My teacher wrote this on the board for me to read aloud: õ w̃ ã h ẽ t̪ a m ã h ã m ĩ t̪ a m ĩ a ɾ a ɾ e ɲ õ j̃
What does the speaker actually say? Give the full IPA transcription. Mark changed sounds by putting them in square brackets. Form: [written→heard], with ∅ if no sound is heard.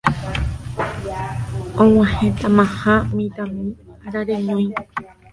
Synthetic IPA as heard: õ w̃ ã h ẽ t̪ a m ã h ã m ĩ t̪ a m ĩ a ɾ a ɾ e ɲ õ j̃